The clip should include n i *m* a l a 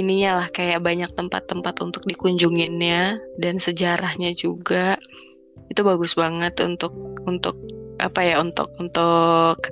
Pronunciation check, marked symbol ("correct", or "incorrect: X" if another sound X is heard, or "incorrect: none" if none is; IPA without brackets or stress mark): incorrect: ɲ